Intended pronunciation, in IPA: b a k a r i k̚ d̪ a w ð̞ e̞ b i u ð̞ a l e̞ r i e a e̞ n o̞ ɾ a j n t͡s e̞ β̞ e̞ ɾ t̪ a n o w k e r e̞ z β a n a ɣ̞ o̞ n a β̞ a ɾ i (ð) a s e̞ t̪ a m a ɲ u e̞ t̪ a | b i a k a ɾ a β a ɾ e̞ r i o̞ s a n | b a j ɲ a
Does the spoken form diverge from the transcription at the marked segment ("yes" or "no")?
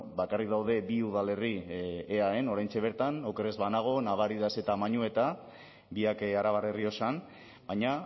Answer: no